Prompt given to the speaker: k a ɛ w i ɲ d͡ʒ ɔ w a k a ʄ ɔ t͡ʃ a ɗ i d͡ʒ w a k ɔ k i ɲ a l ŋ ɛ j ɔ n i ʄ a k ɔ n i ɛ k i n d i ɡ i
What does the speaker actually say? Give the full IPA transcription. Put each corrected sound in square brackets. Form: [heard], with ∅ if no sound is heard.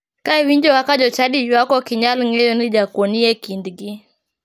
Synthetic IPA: k a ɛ w i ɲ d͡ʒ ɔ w a k a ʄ ɔ t͡ʃ a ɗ i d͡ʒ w a k ɔ k i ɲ a l ŋ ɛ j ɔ n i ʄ a k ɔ n i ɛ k i n d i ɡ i